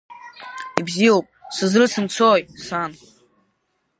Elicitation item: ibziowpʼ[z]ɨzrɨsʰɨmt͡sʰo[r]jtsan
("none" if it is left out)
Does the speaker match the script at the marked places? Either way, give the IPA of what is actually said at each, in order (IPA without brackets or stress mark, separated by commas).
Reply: s, none